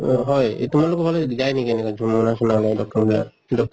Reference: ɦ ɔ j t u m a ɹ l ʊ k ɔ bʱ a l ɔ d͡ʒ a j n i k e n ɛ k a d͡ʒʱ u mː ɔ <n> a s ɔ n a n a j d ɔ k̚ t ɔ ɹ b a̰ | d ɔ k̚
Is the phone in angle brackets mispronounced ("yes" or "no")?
no